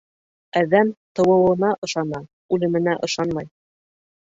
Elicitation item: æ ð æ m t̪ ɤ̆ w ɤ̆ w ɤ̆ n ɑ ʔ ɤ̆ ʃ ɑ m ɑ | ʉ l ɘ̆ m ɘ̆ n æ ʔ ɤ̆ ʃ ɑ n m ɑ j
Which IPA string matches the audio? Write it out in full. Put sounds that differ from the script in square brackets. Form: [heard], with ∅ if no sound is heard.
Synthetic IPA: æ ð æ m t̪ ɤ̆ w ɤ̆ w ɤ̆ n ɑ ʔ ɤ̆ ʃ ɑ [n] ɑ | ʉ l ɘ̆ m ɘ̆ n æ ʔ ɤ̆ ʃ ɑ n m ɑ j

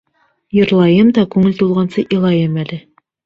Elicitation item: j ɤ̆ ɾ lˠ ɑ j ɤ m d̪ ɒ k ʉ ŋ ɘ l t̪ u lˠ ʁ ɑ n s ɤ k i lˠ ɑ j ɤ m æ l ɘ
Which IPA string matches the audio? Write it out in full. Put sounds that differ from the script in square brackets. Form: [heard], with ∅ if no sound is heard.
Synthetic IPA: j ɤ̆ ɾ lˠ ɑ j ɤ m d̪ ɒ k ʉ ŋ ɘ l t̪ u lˠ ʁ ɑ n s ɤ [ʔ] i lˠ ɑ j ɤ m æ l ɘ

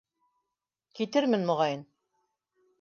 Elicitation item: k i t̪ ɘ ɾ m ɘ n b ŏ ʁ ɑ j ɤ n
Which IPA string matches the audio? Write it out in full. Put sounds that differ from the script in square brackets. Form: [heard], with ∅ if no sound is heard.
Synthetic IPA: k i t̪ ɘ ɾ m ɘ n [m] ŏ ʁ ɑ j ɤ n

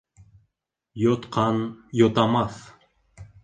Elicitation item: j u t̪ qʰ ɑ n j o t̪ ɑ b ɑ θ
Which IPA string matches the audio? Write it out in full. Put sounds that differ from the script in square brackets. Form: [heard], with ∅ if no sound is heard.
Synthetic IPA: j [o] t̪ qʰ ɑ n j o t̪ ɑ [m] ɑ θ

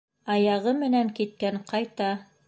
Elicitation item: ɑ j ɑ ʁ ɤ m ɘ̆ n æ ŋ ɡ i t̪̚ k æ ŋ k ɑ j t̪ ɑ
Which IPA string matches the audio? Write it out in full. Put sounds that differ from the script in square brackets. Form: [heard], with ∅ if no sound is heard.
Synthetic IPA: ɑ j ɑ ʁ ɤ m ɘ̆ n æ ŋ [k] i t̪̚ k æ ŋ [q] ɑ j t̪ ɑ

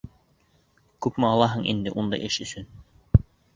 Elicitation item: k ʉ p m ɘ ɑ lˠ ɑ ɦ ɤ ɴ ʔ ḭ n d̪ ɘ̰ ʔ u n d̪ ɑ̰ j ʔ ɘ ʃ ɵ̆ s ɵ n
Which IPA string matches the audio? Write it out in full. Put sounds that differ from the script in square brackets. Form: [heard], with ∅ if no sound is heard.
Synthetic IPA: k ʉ p m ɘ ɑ lˠ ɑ ɦ ɤ ɴ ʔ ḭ n d̪ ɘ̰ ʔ u n d̪ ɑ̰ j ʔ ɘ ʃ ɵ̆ s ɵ n

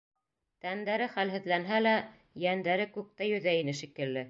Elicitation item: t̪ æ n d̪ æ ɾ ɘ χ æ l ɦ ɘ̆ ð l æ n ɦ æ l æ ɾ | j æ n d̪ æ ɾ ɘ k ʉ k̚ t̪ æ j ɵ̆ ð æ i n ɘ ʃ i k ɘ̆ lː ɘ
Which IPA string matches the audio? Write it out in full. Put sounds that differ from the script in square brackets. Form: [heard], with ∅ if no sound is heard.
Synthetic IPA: t̪ æ n d̪ æ ɾ ɘ χ æ l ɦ ɘ̆ ð l æ n ɦ æ l æ [∅] | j æ n d̪ æ ɾ ɘ k ʉ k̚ t̪ æ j ɵ̆ ð æ i n ɘ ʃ i k ɘ̆ lː ɘ

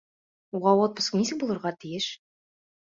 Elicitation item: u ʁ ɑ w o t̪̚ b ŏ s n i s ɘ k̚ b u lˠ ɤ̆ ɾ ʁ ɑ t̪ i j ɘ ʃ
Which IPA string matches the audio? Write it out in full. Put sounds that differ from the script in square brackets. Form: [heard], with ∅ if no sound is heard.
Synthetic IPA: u ʁ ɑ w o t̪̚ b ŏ s n i s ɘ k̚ b u lˠ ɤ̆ ɾ ʁ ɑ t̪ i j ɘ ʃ

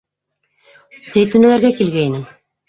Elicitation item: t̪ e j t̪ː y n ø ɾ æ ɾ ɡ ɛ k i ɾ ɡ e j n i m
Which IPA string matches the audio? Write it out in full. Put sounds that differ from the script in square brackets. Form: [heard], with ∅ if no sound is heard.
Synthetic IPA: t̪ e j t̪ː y n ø [l] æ ɾ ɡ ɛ k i [l] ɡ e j n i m

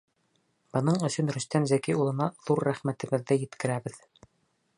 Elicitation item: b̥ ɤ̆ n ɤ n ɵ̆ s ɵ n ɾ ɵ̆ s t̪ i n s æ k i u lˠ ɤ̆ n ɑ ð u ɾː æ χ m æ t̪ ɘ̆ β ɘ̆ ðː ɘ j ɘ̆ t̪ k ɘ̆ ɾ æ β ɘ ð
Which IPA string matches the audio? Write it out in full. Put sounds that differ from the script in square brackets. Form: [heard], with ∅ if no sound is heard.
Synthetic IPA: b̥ ɤ̆ n ɤ [ɴ] ɵ̆ s ɵ n ɾ ɵ̆ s t̪ [æ] n [z] æ k i u lˠ ɤ̆ n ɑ ð u ɾː æ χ m æ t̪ ɘ̆ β ɘ̆ ðː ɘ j ɘ̆ t̪ k ɘ̆ ɾ æ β ɘ ð

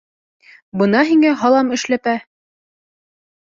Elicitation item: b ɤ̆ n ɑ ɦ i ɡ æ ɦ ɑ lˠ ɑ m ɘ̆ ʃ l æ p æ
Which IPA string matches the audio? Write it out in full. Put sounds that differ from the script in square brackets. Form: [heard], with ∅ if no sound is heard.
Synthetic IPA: b ɤ̆ n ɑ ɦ i [ŋ] æ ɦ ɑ lˠ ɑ m ɘ̆ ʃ l æ p æ

